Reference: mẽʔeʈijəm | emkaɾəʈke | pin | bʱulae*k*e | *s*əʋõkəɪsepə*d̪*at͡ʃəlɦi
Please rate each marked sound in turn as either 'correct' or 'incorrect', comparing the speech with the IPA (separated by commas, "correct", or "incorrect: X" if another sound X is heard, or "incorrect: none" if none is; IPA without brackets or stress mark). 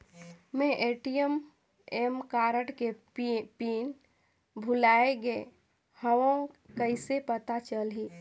incorrect: ɡ, incorrect: h, incorrect: t̪